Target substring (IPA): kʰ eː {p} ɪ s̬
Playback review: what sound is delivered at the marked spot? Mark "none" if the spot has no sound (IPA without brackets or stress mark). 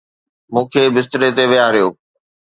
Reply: b